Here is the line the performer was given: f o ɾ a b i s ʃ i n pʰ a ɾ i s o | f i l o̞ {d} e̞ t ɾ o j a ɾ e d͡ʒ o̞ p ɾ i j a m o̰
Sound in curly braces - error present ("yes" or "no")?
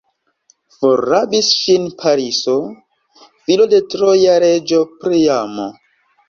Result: no